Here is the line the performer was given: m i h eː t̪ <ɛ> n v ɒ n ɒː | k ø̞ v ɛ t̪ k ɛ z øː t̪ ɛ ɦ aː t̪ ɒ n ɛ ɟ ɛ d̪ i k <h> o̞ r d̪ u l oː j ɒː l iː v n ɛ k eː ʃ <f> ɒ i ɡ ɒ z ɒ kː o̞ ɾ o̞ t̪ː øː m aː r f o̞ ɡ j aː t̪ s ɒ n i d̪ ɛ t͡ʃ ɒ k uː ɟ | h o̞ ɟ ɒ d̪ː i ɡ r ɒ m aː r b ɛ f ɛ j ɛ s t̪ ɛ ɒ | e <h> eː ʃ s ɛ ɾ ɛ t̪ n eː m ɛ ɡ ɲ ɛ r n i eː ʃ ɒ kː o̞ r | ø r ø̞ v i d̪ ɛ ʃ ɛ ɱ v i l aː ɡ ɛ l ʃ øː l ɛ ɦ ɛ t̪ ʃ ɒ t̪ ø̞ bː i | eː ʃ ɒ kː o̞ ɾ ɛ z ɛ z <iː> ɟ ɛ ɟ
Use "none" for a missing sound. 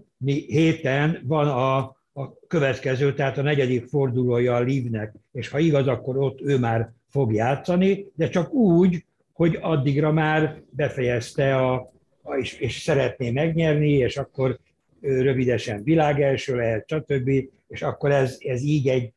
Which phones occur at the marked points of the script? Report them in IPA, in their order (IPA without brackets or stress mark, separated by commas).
ɛ, f, h, ʃ, iː